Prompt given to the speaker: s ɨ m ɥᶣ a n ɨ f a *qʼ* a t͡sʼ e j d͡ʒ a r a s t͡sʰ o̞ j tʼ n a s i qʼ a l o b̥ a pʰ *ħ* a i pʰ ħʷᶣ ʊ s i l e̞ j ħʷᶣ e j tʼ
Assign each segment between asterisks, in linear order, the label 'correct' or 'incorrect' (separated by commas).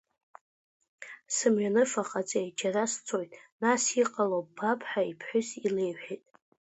correct, correct